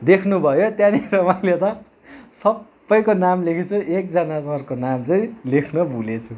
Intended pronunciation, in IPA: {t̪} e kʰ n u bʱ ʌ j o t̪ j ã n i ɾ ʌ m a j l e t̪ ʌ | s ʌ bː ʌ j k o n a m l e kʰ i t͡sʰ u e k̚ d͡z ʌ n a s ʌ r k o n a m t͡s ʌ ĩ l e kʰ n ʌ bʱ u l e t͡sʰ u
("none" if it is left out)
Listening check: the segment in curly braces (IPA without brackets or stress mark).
d̪